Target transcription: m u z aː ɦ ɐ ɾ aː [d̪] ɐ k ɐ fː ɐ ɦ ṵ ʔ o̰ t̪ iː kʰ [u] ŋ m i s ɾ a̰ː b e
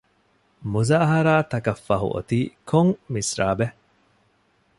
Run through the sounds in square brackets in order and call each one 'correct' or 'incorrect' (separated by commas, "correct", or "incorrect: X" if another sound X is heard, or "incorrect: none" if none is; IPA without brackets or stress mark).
incorrect: t̪, incorrect: o